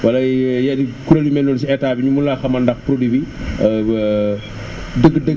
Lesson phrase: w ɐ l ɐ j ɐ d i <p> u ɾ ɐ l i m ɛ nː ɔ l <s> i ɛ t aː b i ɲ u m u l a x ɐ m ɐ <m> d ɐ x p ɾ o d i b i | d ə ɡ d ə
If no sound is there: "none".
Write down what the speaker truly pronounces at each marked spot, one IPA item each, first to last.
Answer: k, s, n

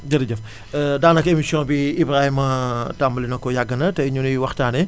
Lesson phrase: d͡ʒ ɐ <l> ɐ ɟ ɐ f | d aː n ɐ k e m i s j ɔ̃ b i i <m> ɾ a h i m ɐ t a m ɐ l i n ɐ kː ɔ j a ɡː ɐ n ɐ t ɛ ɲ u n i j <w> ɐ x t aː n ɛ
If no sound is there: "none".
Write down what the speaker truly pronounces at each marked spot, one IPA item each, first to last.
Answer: ɾ, b, w

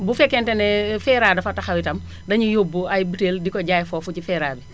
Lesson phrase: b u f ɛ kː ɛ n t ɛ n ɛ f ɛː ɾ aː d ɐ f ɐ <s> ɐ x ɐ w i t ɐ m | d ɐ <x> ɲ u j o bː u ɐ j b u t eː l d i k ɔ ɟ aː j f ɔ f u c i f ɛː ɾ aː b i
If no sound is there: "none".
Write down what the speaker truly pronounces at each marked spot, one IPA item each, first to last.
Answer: t, none

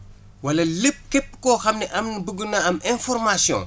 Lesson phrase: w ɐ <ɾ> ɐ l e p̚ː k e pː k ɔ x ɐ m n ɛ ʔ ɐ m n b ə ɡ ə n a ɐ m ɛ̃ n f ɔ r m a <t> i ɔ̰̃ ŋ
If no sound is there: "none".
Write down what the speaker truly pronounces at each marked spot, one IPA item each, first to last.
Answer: l, s

